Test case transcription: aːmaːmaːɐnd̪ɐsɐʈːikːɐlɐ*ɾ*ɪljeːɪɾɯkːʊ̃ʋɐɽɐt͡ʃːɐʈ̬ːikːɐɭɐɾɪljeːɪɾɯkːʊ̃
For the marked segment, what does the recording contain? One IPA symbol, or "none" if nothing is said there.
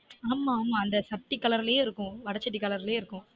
ɾ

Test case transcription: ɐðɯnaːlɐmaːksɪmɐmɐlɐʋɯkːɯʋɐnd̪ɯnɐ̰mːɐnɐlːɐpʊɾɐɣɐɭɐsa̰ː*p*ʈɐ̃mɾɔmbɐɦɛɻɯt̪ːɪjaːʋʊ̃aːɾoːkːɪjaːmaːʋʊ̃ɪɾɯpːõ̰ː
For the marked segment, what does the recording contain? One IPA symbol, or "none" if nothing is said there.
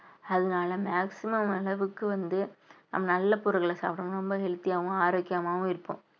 p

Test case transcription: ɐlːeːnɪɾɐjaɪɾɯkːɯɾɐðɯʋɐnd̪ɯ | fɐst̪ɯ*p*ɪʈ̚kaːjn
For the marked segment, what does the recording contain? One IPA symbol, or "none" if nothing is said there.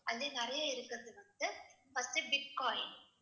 b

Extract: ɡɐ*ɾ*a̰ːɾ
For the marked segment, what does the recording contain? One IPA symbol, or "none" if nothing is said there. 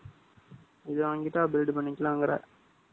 ɾ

